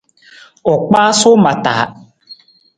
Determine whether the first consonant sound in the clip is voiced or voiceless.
voiceless